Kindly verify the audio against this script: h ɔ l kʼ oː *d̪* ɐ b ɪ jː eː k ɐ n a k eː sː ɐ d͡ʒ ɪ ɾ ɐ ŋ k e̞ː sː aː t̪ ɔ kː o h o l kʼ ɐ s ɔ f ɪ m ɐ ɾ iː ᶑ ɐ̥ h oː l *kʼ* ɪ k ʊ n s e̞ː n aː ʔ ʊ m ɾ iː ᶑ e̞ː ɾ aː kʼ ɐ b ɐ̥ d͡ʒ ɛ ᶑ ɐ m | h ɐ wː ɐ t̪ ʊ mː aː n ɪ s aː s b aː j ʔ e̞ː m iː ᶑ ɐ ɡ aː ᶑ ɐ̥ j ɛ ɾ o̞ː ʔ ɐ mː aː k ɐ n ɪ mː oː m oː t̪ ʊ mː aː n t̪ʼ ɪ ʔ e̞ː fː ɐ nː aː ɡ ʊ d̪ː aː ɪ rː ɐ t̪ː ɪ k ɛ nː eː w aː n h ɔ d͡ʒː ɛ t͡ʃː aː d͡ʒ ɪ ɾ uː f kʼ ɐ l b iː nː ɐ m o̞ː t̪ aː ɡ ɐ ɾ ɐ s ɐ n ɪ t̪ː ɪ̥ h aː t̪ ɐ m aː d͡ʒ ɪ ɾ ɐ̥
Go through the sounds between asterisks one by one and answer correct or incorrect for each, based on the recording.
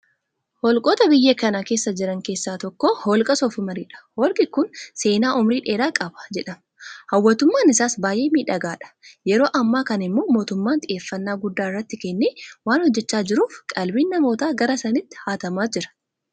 incorrect, correct

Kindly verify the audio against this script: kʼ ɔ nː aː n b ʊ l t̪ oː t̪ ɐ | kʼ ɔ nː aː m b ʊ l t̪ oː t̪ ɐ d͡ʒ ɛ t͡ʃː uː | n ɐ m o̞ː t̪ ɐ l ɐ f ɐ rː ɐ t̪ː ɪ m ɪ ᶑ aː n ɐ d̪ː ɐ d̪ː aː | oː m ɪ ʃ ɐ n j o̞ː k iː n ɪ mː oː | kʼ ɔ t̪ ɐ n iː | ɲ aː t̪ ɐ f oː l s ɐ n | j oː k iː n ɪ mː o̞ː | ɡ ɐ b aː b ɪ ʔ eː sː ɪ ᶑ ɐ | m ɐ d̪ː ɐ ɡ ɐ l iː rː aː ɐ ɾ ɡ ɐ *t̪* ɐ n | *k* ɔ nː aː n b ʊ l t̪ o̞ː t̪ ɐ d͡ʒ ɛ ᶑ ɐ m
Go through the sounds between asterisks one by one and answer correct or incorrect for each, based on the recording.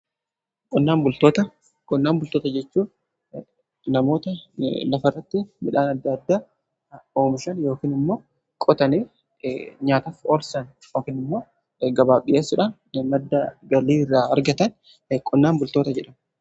correct, incorrect

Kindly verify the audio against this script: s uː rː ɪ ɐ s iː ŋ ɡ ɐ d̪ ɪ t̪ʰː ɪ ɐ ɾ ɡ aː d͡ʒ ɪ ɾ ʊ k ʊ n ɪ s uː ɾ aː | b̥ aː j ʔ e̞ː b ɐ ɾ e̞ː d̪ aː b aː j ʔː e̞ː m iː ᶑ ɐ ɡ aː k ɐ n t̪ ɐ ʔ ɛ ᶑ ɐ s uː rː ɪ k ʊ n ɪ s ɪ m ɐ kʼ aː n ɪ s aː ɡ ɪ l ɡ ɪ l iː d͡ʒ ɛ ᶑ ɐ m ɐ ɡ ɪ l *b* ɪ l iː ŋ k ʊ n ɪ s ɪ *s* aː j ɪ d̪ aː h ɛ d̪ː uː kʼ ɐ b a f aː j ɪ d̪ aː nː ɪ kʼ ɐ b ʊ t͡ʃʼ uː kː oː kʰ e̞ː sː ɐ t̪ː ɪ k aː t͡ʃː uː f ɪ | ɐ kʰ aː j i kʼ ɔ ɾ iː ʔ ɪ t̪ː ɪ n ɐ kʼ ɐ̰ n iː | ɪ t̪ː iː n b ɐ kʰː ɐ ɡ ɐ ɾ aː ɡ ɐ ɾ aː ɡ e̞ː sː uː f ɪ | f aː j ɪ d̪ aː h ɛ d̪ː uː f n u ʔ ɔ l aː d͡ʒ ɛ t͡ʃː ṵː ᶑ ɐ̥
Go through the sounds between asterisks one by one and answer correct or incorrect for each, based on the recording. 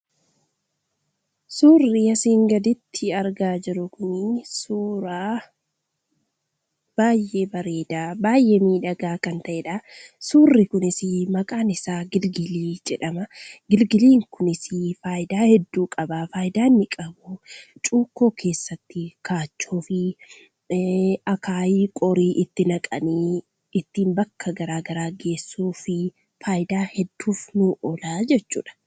incorrect, incorrect

